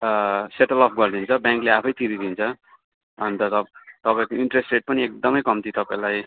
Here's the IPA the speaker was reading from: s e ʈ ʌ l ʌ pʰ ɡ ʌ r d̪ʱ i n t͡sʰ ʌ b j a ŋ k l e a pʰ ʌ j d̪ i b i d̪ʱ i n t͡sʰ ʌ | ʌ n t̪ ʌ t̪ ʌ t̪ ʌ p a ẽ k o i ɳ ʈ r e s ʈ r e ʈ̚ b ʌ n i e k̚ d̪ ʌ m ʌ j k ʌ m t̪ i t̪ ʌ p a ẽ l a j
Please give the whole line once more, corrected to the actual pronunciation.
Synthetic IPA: s e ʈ ʌ l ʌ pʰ ɡ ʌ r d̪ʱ i n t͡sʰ ʌ b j a ŋ k l e a pʰ ʌ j t̪ i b i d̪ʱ i n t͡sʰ ʌ | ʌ n t̪ ʌ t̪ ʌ t̪ ʌ p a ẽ k o i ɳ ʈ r e s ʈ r e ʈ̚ p ʌ n i e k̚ d̪ ʌ m ʌ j k ʌ m t̪ i t̪ ʌ p a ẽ l a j